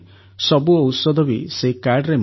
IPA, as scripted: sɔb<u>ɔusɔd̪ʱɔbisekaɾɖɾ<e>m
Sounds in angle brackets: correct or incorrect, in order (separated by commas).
correct, correct